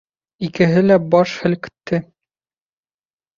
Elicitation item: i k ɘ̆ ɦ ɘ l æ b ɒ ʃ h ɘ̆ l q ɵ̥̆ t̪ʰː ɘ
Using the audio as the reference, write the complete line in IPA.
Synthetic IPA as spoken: i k ɘ̆ ɦ ɘ l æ b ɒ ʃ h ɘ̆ l k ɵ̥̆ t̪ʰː ɘ